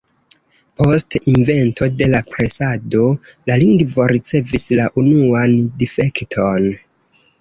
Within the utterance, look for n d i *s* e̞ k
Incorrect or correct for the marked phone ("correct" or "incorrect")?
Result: incorrect